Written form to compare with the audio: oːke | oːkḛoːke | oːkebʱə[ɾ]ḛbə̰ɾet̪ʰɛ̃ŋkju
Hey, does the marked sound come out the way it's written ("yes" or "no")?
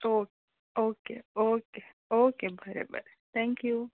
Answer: yes